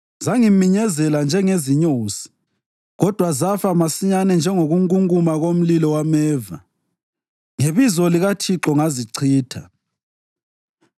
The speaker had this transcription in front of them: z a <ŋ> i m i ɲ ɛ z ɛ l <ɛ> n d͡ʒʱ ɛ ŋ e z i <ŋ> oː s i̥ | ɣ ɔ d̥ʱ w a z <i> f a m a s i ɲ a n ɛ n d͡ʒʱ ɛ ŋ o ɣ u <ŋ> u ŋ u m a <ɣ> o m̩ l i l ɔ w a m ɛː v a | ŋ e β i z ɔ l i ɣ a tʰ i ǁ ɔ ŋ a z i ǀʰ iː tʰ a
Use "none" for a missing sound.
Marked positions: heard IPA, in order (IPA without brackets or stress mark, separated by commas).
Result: ŋ, a, ɲ, a, ŋ, ɣ